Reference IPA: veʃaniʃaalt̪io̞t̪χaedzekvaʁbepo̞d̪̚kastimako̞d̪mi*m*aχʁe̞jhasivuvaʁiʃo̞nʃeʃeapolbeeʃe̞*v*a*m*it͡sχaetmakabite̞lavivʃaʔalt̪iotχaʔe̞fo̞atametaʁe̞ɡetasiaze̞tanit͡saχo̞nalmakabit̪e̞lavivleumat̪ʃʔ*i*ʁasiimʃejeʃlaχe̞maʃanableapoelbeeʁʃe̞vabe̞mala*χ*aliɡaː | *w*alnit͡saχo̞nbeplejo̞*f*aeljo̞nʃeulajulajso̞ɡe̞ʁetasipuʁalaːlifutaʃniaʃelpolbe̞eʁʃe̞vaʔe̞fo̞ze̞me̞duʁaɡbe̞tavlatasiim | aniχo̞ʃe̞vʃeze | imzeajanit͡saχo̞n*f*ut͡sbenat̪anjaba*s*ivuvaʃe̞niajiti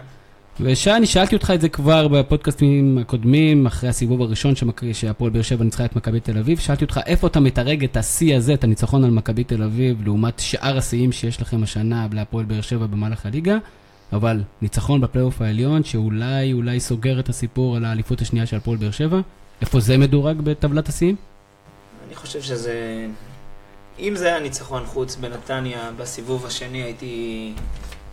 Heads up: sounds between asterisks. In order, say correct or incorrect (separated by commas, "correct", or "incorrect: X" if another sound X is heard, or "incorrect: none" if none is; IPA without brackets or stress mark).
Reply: correct, correct, incorrect: n, incorrect: a, correct, incorrect: v, correct, incorrect: χ, correct